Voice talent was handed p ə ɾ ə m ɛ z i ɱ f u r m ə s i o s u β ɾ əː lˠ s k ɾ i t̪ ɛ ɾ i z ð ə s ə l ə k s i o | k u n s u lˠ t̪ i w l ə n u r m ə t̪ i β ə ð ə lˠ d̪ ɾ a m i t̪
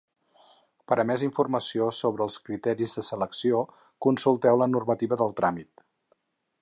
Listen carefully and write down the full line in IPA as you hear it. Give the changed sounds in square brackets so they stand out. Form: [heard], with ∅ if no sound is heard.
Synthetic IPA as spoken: p ə ɾ ə m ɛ z i ɱ f u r m ə s i o s [o] β ɾ əː lˠ s k ɾ i t̪ ɛ ɾ i z ð ə s ə l ə k s i o | k u n s u lˠ t̪ [ɛ] w l ə n u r m ə t̪ i β ə ð ə lˠ [t̪] ɾ a m i t̪